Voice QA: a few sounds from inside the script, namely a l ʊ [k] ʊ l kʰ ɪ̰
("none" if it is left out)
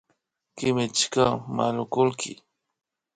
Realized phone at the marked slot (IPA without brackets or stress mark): k